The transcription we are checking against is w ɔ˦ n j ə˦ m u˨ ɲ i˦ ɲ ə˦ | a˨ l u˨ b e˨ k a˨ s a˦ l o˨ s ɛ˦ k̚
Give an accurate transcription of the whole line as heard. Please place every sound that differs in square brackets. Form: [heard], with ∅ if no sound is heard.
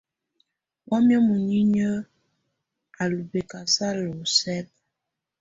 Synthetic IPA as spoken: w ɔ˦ [m] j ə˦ m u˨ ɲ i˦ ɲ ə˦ | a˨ l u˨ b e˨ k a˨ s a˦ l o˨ s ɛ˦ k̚